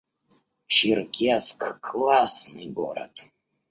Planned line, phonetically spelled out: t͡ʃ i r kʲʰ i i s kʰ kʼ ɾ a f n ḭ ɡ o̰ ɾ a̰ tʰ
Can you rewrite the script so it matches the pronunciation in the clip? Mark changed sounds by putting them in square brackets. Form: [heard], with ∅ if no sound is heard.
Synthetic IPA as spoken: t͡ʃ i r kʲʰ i [a] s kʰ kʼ [l] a [s] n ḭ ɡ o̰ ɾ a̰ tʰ

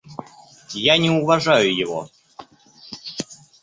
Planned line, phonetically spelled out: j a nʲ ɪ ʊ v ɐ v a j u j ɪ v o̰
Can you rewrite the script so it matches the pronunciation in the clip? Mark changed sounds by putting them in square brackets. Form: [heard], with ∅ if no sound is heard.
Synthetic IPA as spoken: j a nʲ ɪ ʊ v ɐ [ʐ] a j [ʊ] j ɪ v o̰

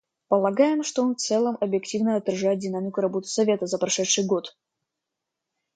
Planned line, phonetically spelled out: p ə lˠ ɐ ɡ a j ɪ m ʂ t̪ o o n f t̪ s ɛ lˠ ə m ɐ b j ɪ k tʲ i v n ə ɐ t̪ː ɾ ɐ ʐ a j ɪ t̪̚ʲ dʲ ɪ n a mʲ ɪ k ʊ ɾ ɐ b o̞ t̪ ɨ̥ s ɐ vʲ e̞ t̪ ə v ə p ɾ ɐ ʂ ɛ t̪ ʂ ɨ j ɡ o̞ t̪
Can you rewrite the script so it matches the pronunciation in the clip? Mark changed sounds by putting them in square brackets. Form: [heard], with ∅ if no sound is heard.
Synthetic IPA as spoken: p ə lˠ ɐ ɡ a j ɪ m ʂ t̪ o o n f t̪ s ɛ lˠ ə m ɐ b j ɪ k tʲ i v n ə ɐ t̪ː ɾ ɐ ʐ a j ɪ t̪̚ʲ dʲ ɪ n a mʲ ɪ k ʊ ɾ ɐ b o̞ t̪ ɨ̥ s ɐ vʲ e̞ t̪ ə [z] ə p ɾ ɐ ʂ ɛ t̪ ʂ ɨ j ɡ o̞ t̪

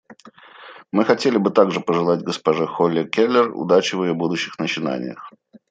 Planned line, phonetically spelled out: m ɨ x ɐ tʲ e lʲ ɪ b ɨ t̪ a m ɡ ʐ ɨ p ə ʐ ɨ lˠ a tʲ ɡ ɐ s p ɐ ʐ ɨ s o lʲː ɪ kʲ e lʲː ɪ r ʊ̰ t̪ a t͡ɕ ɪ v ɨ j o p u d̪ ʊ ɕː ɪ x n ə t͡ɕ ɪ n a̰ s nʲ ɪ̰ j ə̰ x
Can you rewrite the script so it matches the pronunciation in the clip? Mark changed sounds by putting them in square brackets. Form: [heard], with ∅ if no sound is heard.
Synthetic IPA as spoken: m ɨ x ɐ tʲ e lʲ ɪ b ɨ t̪ a [∅] ɡ ʐ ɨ p ə ʐ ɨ lˠ a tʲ ɡ [ə] s p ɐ ʐ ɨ [x] o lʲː ɪ kʲ e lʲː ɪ r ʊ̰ [d̪] a t͡ɕ ɪ v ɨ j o [b] u d̪ ʊ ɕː ɪ x n ə t͡ɕ ɪ n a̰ [∅] nʲ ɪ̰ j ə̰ x

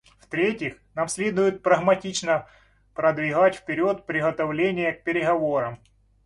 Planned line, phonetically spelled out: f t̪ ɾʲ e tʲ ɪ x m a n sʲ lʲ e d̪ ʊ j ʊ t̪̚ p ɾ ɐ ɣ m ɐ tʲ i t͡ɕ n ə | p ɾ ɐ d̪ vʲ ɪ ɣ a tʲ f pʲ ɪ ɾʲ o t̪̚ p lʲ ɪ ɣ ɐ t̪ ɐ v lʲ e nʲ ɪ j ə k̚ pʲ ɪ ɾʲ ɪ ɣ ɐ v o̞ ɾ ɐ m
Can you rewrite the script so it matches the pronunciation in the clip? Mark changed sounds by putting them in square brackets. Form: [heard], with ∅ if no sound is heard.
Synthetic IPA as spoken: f t̪ ɾʲ e tʲ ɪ x [n] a [m] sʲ lʲ e d̪ ʊ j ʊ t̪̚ p ɾ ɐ ɣ m ɐ tʲ i t͡ɕ n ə | p ɾ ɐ d̪ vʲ ɪ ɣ a tʲ f pʲ ɪ ɾʲ o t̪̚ p [ɾʲ] ɪ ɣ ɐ t̪ ɐ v lʲ e nʲ ɪ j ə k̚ pʲ ɪ ɾʲ ɪ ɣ ɐ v o̞ ɾ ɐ m

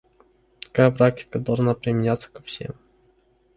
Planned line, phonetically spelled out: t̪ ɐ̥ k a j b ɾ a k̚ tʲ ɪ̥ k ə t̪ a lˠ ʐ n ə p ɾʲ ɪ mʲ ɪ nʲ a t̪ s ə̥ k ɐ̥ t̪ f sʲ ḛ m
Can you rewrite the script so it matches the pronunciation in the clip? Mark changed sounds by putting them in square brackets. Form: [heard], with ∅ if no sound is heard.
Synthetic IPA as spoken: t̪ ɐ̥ k a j b ɾ a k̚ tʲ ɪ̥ k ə [d̪] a lˠ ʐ n [a] p ɾʲ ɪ mʲ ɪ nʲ a t̪ s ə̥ k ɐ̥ [∅] f sʲ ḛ m

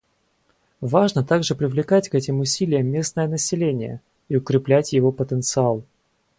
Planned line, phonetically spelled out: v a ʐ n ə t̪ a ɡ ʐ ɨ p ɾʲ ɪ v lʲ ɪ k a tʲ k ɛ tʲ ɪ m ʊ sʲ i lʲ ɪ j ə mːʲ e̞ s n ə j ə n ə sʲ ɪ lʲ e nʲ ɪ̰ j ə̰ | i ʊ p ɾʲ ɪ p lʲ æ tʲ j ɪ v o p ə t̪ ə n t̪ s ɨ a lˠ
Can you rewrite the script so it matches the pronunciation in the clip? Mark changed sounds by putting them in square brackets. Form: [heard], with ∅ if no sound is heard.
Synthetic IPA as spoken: v a ʐ n ə t̪ a ɡ ʐ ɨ p ɾʲ ɪ v lʲ ɪ k a tʲ k ɛ tʲ ɪ m ʊ sʲ i lʲ ɪ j ə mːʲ e̞ s n ə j ə n ə sʲ ɪ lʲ e nʲ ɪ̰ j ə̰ | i ʊ [k] ɾʲ ɪ p lʲ æ tʲ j ɪ v o p ə t̪ ə n t̪ s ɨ a lˠ

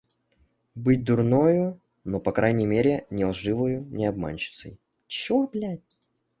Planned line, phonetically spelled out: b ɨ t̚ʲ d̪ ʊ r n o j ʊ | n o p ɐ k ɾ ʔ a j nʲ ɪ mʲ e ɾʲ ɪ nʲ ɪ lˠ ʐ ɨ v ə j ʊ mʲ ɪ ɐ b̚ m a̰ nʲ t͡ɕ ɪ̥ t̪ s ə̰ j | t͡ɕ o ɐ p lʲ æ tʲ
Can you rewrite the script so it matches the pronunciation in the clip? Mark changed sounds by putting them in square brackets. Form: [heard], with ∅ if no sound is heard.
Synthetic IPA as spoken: b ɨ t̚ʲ d̪ ʊ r n o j ʊ | n o p ɐ k ɾ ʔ a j nʲ ɪ mʲ e ɾʲ ɪ nʲ ɪ lˠ ʐ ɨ v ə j ʊ [nʲ] ɪ ɐ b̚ m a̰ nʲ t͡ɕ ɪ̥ t̪ s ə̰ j | t͡ɕ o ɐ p lʲ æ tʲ

